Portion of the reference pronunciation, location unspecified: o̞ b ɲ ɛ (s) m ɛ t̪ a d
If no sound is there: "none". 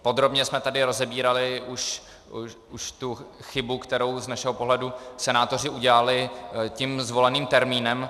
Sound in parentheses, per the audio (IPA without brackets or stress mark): s